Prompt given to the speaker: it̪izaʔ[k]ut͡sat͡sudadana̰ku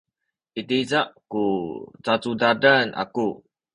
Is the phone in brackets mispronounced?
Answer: no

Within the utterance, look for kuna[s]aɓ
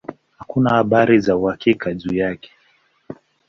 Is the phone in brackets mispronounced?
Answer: yes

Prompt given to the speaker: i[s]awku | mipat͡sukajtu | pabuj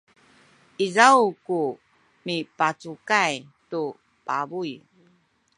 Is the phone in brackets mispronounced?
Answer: yes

